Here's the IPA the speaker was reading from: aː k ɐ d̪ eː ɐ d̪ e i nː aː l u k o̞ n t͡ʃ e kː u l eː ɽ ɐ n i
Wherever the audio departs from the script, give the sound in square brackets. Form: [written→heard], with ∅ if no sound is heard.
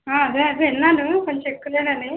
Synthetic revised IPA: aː [k→∅] ɐ d̪ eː ɐ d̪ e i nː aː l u k o̞ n t͡ʃ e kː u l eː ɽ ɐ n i